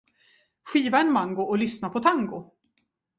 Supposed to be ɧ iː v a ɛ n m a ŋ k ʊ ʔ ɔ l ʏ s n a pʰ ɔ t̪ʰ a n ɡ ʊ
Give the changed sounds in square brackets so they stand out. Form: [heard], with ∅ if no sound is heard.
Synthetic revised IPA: ɧ iː v a ɛ n m a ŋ [ɡ] ʊ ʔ ɔ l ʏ s n a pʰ ɔ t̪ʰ a [ŋ] ɡ ʊ